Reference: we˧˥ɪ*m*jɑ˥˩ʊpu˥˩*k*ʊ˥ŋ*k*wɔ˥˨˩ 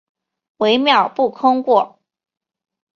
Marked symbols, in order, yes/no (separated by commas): yes, no, yes